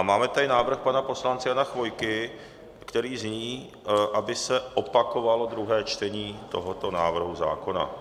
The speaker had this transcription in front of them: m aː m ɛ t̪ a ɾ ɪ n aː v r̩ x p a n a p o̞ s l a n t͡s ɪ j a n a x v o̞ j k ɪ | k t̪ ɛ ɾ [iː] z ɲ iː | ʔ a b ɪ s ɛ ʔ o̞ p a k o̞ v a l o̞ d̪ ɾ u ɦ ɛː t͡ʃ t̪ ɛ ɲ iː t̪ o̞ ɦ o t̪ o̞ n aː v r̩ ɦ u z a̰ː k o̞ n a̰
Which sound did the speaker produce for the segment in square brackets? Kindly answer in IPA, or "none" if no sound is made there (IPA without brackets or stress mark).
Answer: iː